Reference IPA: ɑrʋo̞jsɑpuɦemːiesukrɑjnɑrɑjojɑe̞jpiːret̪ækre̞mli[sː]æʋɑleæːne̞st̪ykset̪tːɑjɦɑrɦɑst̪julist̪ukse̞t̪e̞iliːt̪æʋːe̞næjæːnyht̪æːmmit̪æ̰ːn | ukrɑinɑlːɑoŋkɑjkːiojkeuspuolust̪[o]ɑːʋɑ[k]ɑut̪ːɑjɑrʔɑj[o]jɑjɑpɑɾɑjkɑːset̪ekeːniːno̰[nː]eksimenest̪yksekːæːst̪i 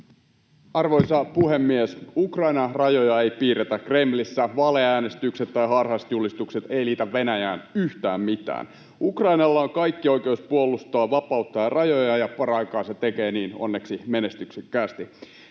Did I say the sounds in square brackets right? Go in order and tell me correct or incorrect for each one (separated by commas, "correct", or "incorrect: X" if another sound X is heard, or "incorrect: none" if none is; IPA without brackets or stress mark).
correct, correct, incorrect: p, correct, correct